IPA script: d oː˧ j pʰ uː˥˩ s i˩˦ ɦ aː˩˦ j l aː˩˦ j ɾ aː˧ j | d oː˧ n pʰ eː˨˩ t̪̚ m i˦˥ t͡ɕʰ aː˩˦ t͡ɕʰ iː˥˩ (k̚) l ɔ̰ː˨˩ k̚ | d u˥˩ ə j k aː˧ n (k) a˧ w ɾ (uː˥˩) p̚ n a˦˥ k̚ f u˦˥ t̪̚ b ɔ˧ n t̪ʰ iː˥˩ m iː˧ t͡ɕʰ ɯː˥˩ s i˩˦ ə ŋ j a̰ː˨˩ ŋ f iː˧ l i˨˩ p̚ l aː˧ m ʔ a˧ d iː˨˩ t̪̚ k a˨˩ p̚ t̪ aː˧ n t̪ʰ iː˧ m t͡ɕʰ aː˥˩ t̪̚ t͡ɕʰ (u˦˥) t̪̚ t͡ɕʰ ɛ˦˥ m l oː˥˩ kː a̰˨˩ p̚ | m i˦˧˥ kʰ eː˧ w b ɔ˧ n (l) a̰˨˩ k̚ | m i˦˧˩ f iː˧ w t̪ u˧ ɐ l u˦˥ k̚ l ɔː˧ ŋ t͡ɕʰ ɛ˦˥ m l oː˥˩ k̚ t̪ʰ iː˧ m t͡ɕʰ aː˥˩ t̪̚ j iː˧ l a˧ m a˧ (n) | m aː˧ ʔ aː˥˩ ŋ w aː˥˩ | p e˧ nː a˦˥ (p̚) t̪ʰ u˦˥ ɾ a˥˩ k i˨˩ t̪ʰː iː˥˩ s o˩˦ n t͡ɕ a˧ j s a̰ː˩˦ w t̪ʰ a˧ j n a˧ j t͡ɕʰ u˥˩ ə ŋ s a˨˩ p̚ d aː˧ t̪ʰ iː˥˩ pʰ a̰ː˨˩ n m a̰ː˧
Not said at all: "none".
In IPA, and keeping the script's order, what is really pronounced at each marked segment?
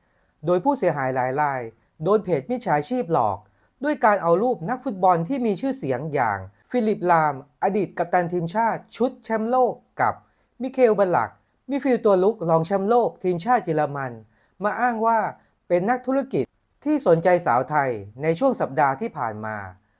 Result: p̚, ʔ, uː˥˩, u˦˥, l, n, k̚

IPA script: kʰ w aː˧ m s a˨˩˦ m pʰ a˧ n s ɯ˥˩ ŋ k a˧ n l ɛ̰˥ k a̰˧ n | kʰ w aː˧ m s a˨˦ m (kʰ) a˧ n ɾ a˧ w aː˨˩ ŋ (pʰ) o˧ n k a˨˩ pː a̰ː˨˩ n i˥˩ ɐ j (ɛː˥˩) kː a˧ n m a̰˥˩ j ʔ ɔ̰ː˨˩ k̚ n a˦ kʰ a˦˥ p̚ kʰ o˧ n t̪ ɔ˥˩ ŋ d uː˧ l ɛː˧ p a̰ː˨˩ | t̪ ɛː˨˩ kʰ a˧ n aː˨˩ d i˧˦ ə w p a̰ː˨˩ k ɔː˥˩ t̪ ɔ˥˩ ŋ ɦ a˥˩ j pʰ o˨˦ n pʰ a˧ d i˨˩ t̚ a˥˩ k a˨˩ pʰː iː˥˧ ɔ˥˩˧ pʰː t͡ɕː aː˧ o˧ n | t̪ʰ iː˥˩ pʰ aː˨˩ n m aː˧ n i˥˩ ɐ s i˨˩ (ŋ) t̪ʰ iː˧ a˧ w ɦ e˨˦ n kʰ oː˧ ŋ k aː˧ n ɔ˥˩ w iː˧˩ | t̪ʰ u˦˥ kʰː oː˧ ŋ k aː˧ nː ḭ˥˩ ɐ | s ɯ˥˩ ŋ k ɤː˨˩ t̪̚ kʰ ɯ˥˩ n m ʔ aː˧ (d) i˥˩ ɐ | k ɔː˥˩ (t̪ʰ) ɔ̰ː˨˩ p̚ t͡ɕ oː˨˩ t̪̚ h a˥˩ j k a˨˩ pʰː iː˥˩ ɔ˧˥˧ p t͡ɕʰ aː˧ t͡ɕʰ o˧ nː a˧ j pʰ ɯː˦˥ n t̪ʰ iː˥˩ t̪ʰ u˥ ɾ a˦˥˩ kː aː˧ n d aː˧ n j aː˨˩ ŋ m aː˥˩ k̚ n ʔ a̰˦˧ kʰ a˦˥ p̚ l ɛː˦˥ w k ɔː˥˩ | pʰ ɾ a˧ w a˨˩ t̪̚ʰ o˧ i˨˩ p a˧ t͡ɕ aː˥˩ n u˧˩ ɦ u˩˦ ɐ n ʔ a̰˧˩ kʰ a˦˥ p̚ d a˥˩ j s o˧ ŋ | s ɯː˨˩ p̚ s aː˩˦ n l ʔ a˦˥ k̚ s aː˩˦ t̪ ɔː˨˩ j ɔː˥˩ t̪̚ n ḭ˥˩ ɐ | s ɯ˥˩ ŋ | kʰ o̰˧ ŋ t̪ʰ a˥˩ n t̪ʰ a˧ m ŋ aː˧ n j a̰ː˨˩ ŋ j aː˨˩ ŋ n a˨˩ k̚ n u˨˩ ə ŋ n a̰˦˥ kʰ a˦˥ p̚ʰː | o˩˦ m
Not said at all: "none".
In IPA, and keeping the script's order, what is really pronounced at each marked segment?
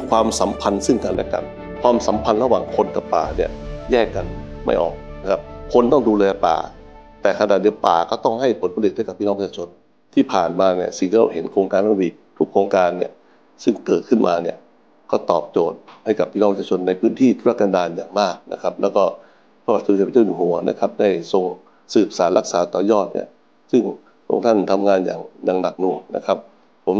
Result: pʰ, kʰ, ɛː˥˩, ŋ, n, t̪

